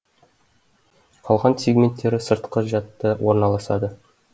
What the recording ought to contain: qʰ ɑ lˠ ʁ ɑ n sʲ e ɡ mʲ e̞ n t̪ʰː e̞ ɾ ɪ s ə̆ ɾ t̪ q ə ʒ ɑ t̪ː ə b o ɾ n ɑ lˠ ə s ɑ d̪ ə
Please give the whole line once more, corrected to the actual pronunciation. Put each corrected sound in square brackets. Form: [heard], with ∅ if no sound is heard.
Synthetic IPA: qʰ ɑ lˠ ʁ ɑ n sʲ e ɡ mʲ e̞ n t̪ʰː e̞ ɾ ɪ s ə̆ ɾ t̪ q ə ʒ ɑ t̪ː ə [w] o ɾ n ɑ lˠ [ɑ] s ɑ d̪ ə